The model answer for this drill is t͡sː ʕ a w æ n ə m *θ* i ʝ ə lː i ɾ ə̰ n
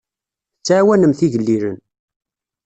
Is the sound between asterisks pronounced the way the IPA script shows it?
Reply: yes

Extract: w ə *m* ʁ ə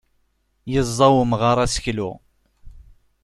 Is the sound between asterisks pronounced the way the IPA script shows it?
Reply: yes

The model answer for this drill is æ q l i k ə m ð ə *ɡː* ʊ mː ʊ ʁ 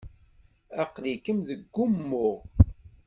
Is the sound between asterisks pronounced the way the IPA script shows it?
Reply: yes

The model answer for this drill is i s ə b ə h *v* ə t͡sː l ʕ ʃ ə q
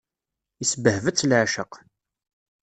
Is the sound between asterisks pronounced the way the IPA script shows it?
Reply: yes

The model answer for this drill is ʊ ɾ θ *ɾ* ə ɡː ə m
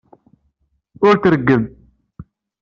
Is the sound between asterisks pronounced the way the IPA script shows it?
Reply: yes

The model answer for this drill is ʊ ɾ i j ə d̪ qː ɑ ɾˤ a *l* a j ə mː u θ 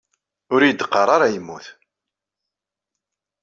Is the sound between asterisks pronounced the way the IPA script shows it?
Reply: no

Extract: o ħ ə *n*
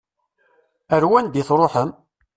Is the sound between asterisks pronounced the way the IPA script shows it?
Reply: no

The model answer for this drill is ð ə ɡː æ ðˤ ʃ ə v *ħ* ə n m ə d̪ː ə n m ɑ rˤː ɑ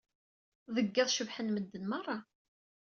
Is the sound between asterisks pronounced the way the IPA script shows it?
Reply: yes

